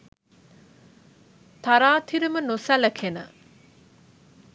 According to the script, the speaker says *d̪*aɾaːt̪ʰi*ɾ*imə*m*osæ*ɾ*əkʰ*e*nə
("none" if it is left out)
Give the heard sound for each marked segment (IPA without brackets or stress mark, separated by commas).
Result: t̪, ɾ, n, l, e